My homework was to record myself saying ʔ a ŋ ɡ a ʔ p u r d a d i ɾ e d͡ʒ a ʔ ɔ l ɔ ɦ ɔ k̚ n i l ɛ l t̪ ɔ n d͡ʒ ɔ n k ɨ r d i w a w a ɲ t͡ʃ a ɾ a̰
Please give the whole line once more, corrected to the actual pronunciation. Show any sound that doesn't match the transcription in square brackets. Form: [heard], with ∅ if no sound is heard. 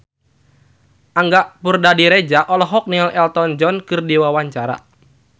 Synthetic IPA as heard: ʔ a ŋ ɡ a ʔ p u r d a d i ɾ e d͡ʒ a ʔ ɔ l ɔ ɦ ɔ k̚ n i l ɛ l t̪ ɔ n d͡ʒ ɔ n k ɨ r d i w a w a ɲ t͡ʃ a ɾ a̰